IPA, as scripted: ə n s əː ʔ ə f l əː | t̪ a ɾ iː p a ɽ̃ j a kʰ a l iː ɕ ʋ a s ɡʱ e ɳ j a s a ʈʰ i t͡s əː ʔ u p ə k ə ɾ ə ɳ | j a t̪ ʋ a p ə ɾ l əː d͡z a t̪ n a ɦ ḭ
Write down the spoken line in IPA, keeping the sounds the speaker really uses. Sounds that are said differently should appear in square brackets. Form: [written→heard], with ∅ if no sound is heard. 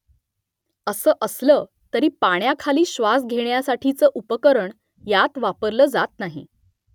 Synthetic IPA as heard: ə [n→∅] s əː ʔ ə [f→s] l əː | t̪ [a→ə] ɾ iː p a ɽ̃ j a kʰ a l iː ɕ ʋ a s ɡʱ e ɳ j a s a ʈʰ i t͡s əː ʔ u p ə k ə ɾ ə ɳ | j a t̪ ʋ a p ə ɾ l əː d͡z a t̪ n a ɦ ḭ